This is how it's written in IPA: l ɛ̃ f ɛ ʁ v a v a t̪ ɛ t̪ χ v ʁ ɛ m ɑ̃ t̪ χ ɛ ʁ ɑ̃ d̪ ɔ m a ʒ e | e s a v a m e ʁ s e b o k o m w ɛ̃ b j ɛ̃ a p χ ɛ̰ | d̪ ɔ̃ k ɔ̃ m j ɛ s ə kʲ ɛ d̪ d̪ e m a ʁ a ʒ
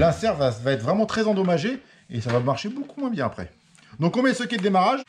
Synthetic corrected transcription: l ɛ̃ s ɛ ʁ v a v a ɛ t̪ χ v ʁ ɛ m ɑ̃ t̪ χ ɛ z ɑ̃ d̪ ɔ m a ʒ e | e s a v a m a ʁ ʃ e b o k u m w ɛ̃ b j ɛ̃ a p χ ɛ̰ | d̪ ɔ̃ k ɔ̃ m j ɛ s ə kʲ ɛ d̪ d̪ e m a ʁ a ʒ